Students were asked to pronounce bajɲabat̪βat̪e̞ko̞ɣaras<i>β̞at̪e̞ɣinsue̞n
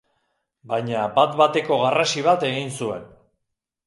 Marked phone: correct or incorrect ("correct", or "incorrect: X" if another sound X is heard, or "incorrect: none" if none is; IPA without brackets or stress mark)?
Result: correct